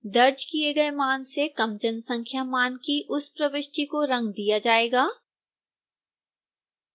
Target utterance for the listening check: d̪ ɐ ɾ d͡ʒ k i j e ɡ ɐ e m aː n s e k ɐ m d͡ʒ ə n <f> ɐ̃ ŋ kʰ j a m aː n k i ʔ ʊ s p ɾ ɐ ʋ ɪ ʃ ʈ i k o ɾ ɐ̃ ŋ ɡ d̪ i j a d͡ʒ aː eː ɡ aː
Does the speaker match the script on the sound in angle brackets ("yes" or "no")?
no